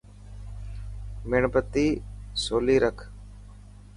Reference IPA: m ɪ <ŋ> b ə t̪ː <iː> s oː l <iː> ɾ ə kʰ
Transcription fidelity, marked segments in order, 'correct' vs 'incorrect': incorrect: ɳ, correct, correct

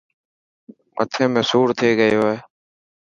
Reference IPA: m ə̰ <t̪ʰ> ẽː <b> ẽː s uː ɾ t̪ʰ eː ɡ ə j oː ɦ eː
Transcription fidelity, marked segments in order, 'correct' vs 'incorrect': correct, incorrect: m

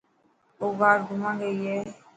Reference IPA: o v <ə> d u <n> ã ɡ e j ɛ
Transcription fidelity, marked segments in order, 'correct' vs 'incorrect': incorrect: a, incorrect: m

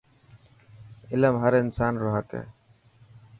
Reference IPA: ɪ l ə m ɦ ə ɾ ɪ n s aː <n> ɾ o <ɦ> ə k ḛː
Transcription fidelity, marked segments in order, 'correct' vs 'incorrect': correct, correct

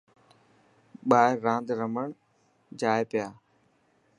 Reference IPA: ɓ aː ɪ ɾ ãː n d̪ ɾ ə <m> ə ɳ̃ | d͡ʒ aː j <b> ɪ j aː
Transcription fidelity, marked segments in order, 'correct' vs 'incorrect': correct, incorrect: p

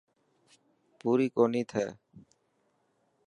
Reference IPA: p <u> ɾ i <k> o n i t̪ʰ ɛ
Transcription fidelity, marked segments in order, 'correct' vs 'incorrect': correct, correct

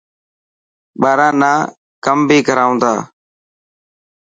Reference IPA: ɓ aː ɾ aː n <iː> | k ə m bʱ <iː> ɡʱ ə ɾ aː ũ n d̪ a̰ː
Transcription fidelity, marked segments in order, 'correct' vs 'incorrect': incorrect: aː, correct

